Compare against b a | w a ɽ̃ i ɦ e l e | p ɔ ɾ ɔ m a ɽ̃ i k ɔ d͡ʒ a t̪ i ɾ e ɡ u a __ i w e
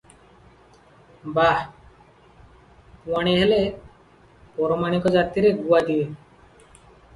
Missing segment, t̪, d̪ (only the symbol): d̪